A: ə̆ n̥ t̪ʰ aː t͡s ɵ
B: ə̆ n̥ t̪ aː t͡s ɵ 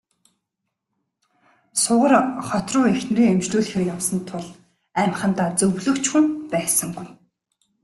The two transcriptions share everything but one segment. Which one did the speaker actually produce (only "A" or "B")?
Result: B